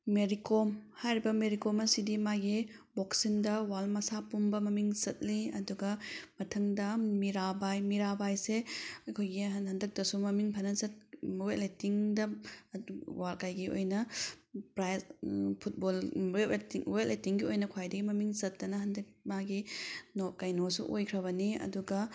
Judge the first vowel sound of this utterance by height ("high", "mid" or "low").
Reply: mid